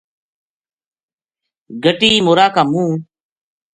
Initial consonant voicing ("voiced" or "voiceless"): voiced